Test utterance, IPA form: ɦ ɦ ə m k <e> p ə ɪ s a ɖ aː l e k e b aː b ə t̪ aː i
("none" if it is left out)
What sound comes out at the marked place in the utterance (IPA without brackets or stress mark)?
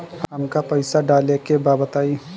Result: a